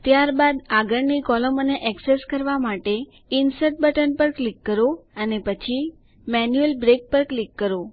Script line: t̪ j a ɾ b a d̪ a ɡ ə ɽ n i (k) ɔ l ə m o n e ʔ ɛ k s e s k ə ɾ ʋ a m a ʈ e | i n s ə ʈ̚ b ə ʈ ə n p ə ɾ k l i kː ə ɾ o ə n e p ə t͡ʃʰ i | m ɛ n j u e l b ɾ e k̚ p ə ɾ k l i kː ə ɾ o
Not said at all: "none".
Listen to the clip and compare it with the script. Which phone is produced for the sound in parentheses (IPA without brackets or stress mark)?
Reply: k